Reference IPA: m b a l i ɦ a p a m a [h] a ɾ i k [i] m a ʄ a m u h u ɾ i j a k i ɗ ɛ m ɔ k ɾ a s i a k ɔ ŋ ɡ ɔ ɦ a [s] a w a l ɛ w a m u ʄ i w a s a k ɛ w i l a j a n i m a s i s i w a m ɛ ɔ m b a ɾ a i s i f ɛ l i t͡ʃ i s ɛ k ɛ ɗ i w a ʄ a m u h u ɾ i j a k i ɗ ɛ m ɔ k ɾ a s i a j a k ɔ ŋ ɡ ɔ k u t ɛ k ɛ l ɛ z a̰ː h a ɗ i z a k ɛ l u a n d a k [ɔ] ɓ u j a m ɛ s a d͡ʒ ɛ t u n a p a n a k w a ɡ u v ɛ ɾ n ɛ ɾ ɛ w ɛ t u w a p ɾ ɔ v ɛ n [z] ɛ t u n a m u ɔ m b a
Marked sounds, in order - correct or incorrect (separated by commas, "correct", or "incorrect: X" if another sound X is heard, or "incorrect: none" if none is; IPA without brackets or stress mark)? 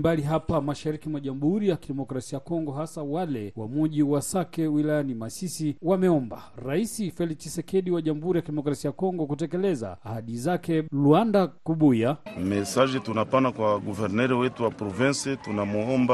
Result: incorrect: ʃ, correct, correct, incorrect: u, incorrect: s